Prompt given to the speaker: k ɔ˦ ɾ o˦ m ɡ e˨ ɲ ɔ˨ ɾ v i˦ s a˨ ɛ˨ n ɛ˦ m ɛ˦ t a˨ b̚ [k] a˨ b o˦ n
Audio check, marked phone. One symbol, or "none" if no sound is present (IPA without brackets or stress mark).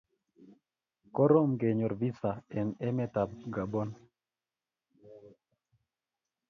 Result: ɡ